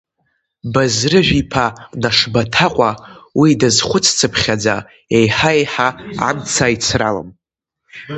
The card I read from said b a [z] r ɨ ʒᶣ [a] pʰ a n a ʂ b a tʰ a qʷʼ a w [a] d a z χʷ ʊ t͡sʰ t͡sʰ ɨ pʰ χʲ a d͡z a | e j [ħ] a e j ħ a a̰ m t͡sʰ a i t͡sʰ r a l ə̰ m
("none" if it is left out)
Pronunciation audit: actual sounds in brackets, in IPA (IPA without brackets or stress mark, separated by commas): z, i, i, ħ